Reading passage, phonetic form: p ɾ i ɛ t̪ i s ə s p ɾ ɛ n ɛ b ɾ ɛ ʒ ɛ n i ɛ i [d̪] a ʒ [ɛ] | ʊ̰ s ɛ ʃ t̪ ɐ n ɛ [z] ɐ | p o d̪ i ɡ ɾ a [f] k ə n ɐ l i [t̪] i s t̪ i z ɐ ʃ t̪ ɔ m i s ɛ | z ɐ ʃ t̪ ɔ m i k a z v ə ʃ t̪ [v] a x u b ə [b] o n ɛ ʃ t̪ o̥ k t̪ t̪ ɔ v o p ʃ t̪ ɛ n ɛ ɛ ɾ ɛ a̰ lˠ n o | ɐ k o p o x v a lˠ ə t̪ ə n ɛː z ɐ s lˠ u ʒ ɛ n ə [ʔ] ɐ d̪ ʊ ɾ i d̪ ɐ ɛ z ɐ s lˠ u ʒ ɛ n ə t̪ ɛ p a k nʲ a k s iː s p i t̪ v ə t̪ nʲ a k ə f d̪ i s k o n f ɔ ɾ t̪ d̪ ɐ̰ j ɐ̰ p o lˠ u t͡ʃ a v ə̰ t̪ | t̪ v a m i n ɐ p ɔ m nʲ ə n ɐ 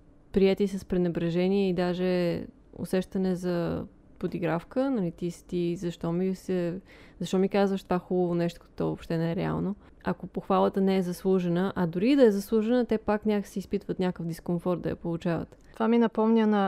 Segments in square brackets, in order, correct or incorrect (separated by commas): correct, correct, correct, correct, correct, correct, incorrect, correct